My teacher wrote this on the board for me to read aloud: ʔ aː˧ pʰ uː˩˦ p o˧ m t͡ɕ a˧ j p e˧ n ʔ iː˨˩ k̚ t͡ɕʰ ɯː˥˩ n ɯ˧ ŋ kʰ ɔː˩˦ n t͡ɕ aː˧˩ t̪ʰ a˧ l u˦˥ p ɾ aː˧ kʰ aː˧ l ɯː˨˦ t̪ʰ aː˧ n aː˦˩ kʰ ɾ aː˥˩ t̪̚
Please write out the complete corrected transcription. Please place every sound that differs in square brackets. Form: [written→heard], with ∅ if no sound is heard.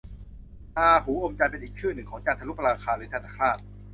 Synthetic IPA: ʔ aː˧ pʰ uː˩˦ [p→ʔ] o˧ m t͡ɕ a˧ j p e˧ n ʔ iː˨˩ k̚ t͡ɕʰ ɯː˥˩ n [ɯ˧→ɯ˨˩] ŋ kʰ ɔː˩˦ [n→ŋ] t͡ɕ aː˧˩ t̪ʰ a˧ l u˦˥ p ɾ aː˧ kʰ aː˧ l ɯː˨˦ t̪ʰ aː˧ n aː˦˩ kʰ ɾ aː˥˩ t̪̚